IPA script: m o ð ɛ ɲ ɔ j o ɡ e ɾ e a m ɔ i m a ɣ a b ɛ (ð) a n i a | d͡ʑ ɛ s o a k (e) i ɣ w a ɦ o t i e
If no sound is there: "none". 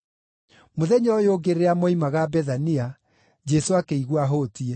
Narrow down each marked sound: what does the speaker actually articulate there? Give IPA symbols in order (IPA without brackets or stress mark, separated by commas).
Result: ð, e